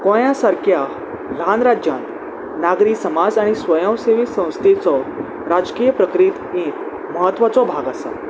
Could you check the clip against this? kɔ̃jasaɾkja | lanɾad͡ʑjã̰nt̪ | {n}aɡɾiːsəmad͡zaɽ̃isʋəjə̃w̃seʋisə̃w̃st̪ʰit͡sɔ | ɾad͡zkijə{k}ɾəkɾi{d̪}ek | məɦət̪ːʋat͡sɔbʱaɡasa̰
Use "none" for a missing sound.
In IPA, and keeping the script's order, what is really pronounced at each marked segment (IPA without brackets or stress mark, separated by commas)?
n, p, t̪